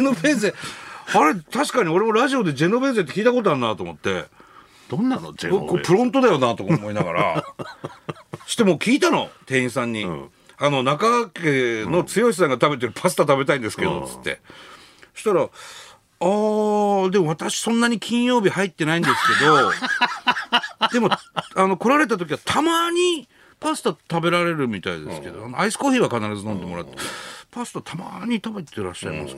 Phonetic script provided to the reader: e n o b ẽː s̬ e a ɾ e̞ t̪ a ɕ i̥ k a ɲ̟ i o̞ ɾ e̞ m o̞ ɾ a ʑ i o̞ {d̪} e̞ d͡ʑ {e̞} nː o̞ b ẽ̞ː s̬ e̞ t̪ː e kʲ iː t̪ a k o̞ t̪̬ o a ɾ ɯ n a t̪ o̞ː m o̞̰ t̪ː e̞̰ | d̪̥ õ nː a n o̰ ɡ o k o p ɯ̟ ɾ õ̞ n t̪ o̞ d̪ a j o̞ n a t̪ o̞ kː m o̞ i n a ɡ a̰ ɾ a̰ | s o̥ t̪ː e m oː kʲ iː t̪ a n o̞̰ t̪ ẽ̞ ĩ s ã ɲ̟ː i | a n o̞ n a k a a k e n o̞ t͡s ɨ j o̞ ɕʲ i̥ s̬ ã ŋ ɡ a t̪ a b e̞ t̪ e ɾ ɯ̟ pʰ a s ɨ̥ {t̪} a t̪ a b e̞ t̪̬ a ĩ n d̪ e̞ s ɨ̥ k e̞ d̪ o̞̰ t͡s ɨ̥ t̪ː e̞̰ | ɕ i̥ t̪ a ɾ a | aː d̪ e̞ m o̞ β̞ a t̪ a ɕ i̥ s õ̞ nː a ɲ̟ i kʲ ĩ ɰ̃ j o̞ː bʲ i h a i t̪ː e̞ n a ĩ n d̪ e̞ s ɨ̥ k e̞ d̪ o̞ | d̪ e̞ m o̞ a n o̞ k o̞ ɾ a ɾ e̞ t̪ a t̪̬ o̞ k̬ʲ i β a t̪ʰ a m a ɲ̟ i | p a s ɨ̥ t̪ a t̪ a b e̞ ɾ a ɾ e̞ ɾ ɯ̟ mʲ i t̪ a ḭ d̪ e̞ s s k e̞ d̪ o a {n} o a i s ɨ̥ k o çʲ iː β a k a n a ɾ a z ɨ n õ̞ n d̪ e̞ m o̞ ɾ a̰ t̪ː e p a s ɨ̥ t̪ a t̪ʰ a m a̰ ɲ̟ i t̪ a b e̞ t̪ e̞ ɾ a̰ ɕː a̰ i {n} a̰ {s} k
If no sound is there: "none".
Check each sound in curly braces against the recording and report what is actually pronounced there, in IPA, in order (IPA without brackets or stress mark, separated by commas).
d̪, e̞, t̪, n, m, s